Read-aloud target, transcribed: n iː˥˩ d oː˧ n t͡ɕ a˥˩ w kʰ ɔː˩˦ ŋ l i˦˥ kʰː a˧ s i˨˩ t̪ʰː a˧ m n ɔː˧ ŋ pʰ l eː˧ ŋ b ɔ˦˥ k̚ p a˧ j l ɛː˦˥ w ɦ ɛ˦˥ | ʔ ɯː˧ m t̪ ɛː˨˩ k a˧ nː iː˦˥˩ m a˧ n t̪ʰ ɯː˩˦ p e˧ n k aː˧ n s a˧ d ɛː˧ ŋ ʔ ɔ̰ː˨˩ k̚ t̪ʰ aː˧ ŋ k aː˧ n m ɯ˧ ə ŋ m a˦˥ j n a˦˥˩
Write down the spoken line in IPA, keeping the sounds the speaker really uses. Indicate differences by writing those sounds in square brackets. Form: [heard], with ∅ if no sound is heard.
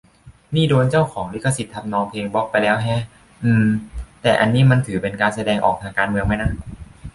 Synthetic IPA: n iː˥˩ d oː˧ n t͡ɕ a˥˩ w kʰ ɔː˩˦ ŋ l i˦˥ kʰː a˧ s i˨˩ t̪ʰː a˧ m n ɔː˧ ŋ pʰ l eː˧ ŋ b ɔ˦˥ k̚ p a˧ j l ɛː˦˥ w ɦ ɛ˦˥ | ʔ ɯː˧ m t̪ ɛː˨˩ [ʔ] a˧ nː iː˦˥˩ m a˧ n t̪ʰ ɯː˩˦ p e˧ n k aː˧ n s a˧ d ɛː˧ ŋ ʔ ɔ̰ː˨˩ k̚ t̪ʰ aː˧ ŋ k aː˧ n m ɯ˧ ə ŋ m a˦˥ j n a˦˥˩